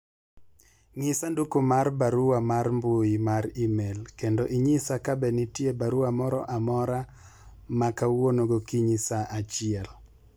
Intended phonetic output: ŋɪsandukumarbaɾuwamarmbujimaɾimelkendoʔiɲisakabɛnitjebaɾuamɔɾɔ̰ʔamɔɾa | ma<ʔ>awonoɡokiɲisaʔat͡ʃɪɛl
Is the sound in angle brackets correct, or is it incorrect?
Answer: incorrect